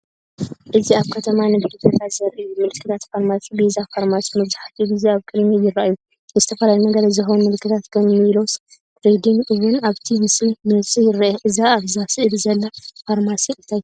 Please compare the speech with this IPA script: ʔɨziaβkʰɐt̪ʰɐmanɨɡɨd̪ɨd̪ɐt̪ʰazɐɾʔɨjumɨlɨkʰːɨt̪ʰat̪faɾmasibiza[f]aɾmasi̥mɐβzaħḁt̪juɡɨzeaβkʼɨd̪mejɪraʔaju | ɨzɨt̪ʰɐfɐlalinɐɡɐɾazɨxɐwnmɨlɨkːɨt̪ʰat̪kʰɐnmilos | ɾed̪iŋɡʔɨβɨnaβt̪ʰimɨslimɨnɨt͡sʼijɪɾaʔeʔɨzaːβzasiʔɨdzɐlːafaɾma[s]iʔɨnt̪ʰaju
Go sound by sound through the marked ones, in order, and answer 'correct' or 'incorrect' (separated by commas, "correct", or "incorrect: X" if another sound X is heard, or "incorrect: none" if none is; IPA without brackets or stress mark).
correct, correct